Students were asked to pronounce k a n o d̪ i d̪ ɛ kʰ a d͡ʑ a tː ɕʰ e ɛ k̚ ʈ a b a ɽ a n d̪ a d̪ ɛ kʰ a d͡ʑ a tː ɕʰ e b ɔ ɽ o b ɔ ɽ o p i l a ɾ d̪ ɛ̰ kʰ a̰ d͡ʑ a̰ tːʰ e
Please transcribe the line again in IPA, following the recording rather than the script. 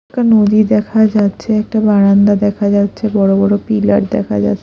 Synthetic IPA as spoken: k a n o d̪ i d̪ ɛ kʰ a d͡ʑ a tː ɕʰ e ɛ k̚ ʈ a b a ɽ a n d̪ a d̪ ɛ kʰ a d͡ʑ a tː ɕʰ e b ɔ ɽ o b ɔ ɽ o p i l a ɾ d̪ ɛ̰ kʰ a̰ d͡ʑ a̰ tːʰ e